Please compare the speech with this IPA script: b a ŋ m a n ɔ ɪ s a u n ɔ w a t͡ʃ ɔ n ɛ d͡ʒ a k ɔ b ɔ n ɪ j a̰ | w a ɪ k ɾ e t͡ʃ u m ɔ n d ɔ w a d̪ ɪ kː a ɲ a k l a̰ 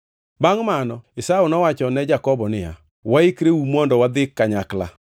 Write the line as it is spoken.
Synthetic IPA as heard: b a ŋ m a n ɔ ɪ s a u n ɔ w a t͡ʃ ɔ n ɛ d͡ʒ a k ɔ b ɔ n ɪ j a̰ | w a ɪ k ɾ e u m ɔ n d ɔ w a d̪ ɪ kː a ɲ a k l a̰